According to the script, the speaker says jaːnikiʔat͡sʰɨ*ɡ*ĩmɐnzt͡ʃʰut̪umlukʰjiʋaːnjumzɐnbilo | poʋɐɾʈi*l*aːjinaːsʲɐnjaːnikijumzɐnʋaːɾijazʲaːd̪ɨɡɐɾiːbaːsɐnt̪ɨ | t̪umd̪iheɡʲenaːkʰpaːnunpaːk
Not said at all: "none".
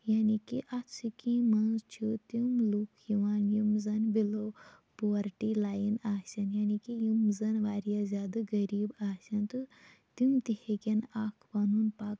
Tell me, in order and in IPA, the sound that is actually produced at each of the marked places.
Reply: k, l

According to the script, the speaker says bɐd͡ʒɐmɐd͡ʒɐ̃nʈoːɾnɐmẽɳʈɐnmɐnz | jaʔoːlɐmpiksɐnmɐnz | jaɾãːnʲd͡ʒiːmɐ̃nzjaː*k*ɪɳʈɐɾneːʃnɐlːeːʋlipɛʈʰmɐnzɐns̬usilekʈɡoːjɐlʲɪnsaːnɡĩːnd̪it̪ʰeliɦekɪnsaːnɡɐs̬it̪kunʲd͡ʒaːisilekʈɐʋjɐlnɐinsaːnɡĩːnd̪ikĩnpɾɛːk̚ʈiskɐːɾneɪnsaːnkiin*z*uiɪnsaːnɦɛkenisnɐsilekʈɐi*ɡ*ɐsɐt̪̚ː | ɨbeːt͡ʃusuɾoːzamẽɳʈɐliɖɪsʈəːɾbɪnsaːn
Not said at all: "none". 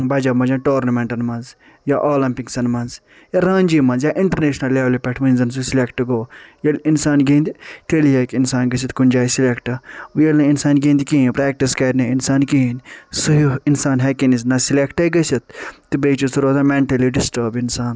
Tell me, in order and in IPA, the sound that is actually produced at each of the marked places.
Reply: ʔ, s, ɡ

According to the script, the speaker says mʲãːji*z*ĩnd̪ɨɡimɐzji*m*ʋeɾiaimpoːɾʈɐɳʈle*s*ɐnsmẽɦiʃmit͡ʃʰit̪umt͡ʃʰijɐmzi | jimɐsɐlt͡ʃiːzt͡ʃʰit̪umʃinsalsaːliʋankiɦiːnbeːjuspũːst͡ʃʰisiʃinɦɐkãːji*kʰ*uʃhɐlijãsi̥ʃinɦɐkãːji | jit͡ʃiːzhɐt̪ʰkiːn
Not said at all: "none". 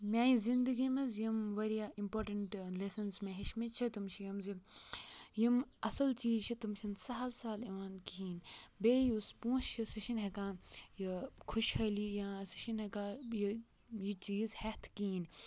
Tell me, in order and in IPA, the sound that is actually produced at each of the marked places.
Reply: z, m, s, kʰ

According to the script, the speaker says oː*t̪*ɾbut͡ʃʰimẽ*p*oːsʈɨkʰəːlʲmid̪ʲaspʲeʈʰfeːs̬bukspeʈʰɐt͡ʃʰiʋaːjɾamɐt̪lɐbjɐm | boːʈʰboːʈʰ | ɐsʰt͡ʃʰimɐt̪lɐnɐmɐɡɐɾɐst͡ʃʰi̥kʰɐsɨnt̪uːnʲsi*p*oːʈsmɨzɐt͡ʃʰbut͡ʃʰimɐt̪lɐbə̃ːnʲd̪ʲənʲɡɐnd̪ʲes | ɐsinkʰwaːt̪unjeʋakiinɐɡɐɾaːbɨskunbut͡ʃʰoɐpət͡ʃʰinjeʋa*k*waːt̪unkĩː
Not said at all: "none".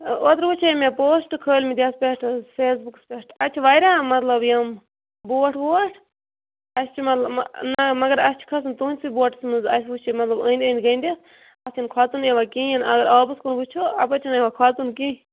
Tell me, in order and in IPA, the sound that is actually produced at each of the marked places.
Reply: t̪, p, b, kʰ

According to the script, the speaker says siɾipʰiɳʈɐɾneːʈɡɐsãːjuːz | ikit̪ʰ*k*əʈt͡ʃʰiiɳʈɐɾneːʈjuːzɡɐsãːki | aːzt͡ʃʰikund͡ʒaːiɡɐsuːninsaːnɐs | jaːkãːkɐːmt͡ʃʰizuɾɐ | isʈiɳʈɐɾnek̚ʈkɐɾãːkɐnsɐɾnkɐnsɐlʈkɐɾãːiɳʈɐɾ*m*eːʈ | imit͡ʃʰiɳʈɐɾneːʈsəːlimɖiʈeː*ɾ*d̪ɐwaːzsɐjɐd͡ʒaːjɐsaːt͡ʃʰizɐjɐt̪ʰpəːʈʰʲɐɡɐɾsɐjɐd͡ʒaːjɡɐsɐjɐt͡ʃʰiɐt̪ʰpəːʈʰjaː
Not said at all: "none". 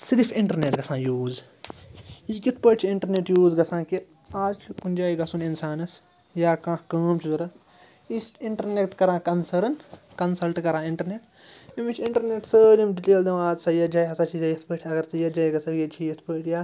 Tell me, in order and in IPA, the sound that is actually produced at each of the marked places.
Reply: p, n, l

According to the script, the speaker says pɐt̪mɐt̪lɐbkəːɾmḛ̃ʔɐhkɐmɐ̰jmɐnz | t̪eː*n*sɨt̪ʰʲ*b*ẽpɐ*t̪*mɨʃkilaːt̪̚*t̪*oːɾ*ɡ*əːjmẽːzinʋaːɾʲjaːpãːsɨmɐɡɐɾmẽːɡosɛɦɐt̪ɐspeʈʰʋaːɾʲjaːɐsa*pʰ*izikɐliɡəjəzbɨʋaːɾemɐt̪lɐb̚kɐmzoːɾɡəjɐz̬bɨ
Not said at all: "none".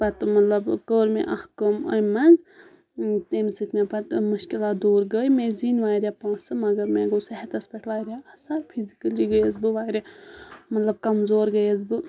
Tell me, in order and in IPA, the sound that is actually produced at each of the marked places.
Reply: m, m, t̪, d̪, ɡ, pʰ

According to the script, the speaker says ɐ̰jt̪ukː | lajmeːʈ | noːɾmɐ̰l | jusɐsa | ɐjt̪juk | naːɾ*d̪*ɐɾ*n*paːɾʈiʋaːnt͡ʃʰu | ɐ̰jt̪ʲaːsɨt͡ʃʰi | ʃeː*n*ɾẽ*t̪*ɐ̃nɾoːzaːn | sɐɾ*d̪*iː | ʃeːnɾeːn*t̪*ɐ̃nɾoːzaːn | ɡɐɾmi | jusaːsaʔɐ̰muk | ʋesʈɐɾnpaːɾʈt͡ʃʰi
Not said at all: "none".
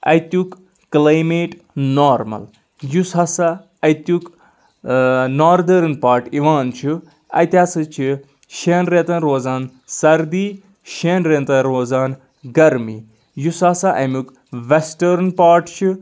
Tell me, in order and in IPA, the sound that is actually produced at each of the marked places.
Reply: d̪, n, n, t̪, d̪, t̪

